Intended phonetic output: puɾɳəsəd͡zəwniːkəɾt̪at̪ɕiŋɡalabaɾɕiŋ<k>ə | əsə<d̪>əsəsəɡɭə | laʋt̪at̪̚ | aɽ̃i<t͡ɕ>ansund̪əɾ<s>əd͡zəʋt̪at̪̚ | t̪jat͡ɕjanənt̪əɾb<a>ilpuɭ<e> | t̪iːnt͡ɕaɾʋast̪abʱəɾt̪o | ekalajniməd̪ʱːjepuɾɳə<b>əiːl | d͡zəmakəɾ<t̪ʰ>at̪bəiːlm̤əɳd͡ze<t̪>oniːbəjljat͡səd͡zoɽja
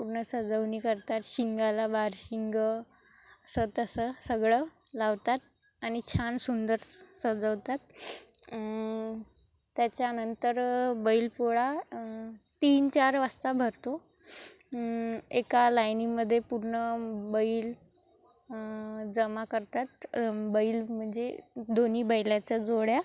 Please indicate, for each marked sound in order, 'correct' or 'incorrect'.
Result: incorrect, incorrect, incorrect, correct, incorrect, incorrect, correct, incorrect, incorrect

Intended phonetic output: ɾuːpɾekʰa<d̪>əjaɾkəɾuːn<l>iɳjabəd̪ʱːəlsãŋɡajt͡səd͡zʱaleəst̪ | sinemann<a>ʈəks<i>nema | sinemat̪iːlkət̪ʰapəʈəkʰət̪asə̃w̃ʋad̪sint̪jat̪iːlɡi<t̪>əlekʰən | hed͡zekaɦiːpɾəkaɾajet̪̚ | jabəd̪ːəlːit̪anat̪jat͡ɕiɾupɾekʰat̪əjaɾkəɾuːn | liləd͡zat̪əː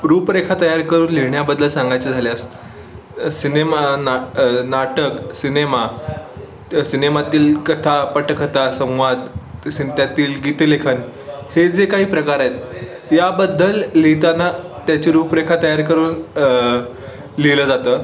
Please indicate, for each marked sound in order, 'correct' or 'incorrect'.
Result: incorrect, correct, correct, correct, correct

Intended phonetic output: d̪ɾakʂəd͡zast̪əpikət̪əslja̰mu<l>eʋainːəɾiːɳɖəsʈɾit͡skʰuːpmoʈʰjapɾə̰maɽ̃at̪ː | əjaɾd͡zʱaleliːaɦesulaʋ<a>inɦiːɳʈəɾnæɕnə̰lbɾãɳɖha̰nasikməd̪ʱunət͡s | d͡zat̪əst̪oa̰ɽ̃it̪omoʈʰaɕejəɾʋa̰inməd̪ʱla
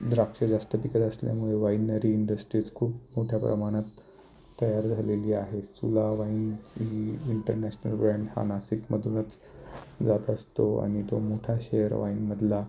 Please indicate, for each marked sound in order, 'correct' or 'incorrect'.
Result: incorrect, correct

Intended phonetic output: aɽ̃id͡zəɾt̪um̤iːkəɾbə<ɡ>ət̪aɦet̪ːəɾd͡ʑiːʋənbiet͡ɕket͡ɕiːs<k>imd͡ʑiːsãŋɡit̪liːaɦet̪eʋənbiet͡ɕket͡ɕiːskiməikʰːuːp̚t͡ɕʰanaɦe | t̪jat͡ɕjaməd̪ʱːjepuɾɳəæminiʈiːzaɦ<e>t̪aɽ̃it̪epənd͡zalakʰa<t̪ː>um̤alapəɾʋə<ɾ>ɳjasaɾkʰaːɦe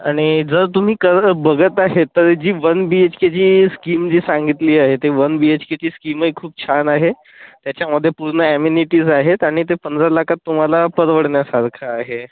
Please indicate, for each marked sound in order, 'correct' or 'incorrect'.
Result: correct, correct, correct, correct, incorrect

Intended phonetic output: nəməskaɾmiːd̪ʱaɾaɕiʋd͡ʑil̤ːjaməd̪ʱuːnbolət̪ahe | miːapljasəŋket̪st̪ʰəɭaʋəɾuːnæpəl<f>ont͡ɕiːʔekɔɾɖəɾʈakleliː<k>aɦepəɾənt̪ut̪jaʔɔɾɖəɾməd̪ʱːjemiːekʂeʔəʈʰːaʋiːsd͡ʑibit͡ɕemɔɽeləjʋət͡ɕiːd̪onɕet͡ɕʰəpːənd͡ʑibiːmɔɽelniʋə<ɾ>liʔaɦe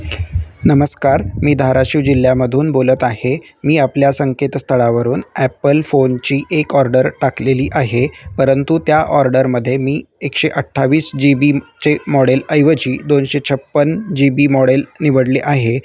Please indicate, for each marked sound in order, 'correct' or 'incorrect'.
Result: correct, incorrect, incorrect

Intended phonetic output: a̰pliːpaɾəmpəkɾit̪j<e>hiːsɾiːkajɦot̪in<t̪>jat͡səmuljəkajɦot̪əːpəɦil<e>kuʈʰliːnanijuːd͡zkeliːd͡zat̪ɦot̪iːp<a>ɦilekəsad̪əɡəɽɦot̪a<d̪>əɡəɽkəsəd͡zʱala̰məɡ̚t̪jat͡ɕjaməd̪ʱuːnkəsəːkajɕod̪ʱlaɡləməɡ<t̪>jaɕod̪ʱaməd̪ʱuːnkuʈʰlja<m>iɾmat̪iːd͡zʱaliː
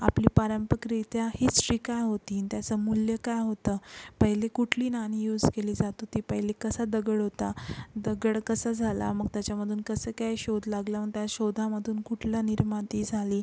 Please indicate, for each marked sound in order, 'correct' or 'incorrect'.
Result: incorrect, correct, correct, incorrect, correct, correct, incorrect

